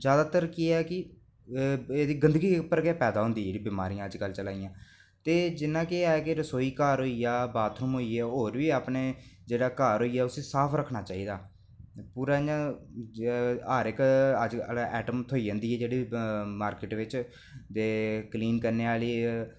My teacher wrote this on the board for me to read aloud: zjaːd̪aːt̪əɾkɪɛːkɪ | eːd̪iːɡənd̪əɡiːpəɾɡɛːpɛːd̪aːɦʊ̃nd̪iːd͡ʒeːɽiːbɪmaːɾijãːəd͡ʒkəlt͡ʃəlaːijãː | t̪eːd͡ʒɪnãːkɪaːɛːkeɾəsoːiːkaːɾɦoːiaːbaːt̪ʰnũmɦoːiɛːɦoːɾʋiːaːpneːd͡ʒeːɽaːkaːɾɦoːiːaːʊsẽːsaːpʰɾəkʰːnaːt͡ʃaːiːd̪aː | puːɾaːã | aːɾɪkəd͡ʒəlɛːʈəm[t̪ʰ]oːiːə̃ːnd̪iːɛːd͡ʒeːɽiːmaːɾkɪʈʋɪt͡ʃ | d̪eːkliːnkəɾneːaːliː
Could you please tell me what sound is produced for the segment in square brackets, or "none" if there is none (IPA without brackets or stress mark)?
t̪ʰ